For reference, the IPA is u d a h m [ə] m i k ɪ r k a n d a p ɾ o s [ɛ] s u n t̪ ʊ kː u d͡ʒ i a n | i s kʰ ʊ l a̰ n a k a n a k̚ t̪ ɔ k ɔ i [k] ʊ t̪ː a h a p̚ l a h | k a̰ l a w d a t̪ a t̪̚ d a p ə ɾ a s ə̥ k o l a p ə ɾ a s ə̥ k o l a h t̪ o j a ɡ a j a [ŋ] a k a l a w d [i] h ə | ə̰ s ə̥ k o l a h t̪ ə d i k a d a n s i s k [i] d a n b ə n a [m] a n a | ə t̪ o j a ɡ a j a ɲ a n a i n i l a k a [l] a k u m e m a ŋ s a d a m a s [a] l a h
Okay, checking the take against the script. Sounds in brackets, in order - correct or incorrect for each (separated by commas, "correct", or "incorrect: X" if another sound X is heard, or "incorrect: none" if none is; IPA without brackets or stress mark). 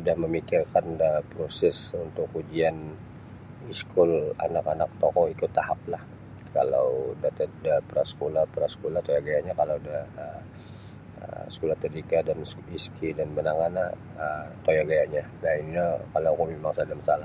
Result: correct, correct, correct, incorrect: ɲ, incorrect: a, correct, incorrect: ŋ, correct, correct